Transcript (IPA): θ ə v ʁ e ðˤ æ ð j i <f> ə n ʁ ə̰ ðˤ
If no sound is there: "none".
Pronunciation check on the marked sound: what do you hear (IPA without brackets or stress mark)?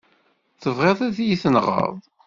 θ